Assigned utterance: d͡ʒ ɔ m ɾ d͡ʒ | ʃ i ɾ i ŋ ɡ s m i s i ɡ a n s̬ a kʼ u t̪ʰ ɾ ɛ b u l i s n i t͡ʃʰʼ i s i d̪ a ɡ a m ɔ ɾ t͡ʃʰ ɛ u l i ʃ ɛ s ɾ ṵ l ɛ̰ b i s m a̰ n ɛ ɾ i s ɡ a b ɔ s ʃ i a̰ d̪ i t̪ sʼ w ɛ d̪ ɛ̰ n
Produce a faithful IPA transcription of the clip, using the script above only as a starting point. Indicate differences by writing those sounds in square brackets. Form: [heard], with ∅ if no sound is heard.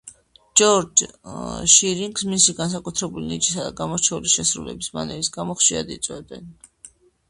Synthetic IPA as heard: d͡ʒ ɔ [∅] ɾ d͡ʒ | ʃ i ɾ i ŋ ɡ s m i s i ɡ a n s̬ a kʼ u t̪ʰ ɾ ɛ b u l i [∅] n i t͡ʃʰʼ i s [a] d̪ a ɡ a m ɔ ɾ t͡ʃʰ ɛ u l i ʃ ɛ s ɾ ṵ l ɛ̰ b i s m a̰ n ɛ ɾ i s ɡ a [m] ɔ [χ] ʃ i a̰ d̪ i t̪ sʼ w ɛ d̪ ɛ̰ n